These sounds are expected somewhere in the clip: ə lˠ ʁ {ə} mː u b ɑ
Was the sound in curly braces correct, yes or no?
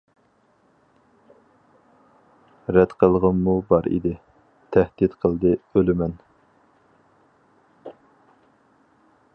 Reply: yes